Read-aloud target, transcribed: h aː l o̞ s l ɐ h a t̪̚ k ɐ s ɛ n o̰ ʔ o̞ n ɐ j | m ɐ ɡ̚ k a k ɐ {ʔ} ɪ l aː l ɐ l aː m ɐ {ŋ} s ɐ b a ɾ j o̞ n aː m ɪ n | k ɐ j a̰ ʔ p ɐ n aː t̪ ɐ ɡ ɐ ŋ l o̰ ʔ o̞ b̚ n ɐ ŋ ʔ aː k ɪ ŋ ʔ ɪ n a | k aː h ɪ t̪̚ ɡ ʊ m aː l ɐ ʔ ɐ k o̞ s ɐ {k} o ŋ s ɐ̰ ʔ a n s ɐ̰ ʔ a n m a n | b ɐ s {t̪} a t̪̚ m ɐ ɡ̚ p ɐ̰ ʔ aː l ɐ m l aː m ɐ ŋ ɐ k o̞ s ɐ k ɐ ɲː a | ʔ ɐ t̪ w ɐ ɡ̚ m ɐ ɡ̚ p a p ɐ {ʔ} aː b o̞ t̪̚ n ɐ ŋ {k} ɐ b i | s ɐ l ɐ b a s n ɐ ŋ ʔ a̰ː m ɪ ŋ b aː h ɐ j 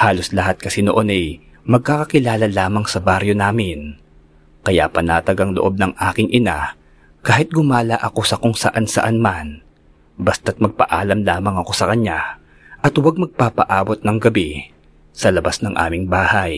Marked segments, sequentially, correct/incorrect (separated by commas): incorrect, correct, correct, correct, correct, incorrect